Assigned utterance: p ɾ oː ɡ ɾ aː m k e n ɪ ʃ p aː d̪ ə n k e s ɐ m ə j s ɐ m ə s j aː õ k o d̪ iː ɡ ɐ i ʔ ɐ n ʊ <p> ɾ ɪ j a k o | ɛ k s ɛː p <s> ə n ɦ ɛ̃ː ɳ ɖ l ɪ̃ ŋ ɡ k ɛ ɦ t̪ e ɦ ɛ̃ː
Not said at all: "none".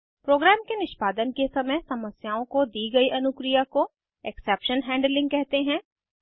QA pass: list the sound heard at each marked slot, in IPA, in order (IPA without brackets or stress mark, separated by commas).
k, ʃ